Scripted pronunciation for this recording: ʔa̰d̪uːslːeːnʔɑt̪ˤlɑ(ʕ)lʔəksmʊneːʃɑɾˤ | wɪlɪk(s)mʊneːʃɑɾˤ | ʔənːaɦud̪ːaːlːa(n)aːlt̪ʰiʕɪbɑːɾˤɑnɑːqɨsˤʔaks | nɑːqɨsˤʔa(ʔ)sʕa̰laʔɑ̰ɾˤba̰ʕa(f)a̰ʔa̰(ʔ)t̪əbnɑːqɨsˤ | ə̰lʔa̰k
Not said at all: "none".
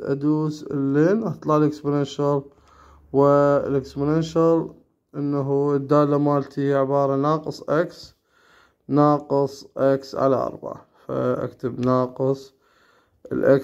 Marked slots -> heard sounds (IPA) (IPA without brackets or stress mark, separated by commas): ʕ, s, m, k, f, k